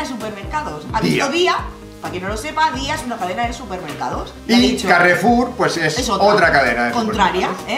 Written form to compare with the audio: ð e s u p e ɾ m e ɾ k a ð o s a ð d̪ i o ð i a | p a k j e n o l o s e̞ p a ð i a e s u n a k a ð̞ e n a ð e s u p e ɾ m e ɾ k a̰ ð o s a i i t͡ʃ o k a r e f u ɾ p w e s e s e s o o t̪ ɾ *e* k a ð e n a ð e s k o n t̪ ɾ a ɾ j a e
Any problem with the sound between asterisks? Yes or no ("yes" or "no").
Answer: yes